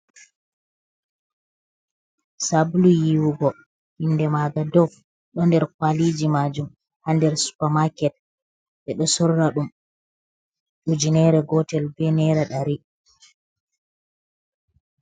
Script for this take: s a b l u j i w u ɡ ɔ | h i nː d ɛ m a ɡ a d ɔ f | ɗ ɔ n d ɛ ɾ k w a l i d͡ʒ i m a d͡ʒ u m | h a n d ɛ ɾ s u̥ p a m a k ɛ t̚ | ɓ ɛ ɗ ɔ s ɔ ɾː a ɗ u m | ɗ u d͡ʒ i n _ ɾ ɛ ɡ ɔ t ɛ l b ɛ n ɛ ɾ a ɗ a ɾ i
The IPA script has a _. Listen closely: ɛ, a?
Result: ɛ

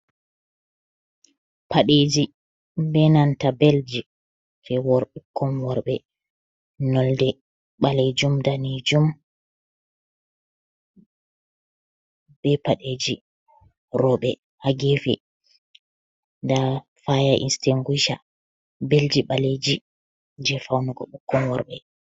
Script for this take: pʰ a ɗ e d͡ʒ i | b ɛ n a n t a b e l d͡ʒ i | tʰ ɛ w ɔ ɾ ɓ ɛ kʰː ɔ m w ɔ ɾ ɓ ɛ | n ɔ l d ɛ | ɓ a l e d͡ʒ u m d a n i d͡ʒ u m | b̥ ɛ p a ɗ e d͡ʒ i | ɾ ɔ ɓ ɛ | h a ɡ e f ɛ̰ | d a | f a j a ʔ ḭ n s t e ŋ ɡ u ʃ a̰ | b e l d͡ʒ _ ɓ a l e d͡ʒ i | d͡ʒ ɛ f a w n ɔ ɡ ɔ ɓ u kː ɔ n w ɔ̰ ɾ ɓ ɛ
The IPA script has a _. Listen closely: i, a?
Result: i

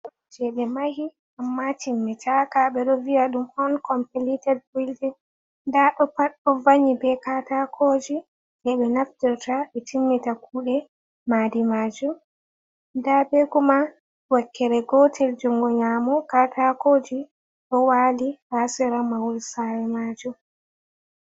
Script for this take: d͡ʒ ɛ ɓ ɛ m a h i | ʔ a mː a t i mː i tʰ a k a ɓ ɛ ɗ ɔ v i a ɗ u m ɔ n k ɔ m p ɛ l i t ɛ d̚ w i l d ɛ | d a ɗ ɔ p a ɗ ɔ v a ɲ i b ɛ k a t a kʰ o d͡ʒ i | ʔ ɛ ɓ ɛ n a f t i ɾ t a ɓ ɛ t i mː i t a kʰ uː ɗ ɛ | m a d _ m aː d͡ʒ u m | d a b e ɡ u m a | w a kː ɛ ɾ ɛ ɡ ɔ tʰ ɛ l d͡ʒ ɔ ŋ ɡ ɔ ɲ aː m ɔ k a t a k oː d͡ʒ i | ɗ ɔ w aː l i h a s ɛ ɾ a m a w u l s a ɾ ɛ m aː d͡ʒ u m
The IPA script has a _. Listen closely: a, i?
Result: i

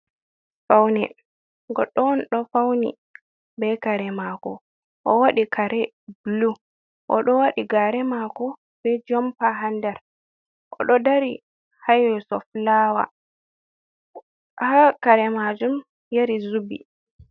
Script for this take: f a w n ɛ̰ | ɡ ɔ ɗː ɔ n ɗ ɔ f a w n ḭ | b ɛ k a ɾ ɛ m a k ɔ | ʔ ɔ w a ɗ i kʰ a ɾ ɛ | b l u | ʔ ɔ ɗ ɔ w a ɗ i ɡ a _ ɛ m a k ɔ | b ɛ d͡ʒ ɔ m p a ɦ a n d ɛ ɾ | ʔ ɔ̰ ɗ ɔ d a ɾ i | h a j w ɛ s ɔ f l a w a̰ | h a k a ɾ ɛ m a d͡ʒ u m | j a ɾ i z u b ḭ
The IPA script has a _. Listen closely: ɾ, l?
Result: ɾ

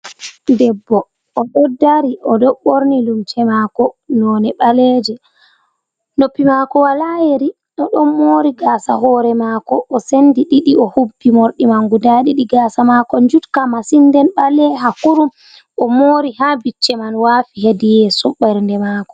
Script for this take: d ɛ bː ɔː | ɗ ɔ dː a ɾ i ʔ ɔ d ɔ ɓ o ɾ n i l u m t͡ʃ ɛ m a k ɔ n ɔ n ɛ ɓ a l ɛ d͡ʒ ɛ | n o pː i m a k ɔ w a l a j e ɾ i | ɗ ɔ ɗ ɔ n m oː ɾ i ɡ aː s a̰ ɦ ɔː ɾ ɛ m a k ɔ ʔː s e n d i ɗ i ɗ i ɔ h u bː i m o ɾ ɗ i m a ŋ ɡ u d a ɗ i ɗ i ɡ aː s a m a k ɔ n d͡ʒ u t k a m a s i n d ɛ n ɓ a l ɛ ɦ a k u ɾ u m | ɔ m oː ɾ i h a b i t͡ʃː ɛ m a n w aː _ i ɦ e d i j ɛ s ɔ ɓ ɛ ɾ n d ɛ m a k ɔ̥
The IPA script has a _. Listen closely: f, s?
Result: f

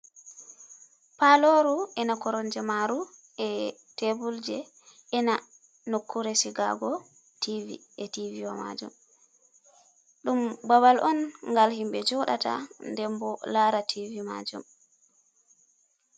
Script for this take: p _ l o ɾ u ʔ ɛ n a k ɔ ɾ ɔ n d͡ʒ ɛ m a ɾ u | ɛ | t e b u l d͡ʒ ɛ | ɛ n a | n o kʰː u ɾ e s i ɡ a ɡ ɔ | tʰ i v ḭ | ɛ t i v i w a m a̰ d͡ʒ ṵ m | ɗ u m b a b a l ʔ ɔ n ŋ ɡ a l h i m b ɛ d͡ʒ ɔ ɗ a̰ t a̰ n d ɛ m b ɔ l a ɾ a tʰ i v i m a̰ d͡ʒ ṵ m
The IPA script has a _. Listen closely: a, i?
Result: a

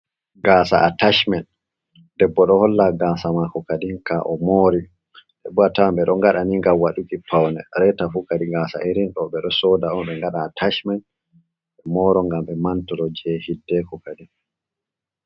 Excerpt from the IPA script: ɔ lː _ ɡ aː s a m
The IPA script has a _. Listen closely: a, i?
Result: a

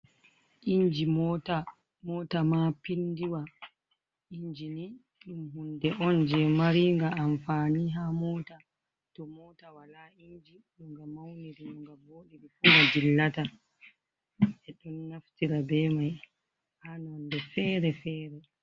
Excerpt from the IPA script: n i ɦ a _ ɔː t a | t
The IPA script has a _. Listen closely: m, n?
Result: m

